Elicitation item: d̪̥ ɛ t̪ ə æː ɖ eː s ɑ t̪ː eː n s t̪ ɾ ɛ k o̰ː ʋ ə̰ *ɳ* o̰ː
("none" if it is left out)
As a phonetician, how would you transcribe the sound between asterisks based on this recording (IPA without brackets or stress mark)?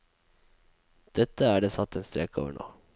ɳ